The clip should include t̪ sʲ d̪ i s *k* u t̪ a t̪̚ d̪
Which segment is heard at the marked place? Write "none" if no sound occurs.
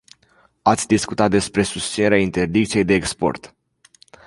k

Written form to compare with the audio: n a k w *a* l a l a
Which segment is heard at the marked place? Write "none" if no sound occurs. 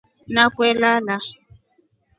ɛ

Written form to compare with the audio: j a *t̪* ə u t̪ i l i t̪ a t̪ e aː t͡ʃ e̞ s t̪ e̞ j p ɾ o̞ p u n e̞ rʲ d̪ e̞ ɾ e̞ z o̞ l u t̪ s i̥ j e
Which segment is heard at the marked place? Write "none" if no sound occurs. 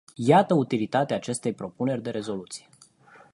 t̪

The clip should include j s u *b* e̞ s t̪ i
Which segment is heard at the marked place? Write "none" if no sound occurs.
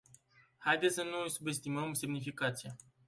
b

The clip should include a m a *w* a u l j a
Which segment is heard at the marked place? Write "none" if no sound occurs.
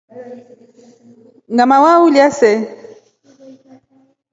w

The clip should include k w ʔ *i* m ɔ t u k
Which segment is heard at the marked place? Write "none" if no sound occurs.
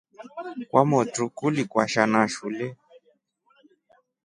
a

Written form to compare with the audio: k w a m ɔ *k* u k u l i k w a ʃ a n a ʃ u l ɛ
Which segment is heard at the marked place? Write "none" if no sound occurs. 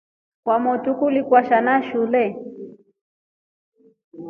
t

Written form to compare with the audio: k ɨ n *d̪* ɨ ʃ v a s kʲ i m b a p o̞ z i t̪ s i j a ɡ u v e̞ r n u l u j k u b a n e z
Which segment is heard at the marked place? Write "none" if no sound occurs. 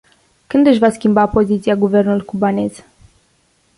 d̪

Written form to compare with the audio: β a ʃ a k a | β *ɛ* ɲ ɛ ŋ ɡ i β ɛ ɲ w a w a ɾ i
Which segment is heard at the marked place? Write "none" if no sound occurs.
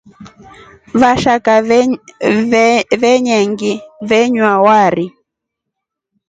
ɛ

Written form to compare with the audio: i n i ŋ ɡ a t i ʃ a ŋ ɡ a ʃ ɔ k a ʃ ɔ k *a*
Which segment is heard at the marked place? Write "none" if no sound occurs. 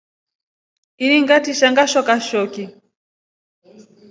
i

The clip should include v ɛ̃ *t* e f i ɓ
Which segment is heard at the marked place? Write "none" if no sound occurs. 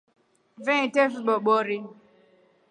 t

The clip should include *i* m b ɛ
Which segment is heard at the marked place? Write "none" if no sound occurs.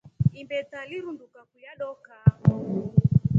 i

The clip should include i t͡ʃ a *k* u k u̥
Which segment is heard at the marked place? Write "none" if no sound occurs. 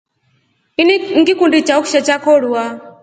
none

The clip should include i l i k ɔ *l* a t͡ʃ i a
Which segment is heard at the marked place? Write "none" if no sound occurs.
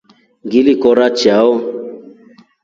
ɾ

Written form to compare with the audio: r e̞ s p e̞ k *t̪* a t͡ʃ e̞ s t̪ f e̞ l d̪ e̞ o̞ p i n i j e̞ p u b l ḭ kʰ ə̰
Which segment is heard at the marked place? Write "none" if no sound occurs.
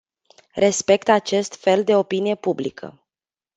t̪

